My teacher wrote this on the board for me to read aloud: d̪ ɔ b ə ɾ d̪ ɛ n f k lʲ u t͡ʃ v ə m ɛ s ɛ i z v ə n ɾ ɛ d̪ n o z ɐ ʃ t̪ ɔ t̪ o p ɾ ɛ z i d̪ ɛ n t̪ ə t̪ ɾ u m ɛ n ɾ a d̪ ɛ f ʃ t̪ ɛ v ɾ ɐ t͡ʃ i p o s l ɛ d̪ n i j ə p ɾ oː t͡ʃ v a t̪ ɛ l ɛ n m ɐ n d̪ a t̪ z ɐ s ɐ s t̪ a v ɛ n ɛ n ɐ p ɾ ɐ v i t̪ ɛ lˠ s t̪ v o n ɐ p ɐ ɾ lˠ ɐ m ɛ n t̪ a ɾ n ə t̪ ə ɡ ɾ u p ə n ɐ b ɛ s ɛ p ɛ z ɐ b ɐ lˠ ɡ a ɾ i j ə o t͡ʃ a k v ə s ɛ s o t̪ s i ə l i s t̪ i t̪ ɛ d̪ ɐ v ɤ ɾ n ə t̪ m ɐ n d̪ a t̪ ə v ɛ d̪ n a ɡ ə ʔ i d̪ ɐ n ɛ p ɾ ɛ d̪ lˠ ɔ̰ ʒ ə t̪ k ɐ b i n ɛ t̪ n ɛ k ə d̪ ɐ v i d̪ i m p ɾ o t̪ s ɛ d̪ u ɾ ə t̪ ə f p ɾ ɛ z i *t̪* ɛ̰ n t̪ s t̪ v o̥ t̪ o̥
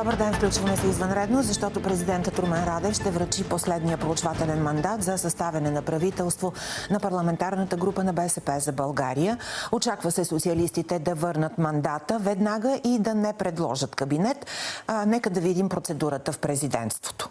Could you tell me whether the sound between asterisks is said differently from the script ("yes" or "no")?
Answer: yes